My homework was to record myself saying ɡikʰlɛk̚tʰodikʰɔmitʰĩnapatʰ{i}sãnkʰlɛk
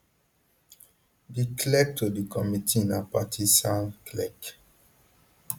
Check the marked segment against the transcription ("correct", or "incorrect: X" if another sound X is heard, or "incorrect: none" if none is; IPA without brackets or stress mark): correct